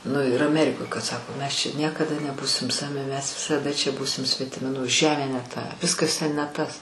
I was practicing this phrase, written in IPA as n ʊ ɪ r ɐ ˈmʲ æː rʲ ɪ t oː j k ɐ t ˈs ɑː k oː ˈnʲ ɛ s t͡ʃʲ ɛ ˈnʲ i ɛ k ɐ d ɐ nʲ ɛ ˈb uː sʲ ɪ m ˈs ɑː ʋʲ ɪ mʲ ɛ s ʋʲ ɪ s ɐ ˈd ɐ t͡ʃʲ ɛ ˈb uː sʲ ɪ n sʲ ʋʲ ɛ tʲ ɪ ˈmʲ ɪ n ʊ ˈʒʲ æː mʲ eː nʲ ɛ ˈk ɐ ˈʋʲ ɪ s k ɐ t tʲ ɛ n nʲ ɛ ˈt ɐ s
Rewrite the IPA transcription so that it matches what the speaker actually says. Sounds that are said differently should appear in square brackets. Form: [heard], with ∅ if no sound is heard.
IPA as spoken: n ʊ ɪ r ɐ ˈmʲ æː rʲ ɪ [k] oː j k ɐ t ˈs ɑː k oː [ˈmʲ] ɛ s t͡ʃʲ ɛ ˈnʲ i ɛ k ɐ d ɐ nʲ ɛ ˈb uː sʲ ɪ m ˈs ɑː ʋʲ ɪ mʲ ɛ s ʋʲ ɪ s ɐ ˈd ɐ t͡ʃʲ ɛ ˈb uː sʲ ɪ [m] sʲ ʋʲ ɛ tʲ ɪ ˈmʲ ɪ n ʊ ˈʒʲ æː mʲ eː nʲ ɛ [ˈt] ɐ ˈʋʲ ɪ s k ɐ [s] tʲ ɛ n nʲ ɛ ˈt ɐ s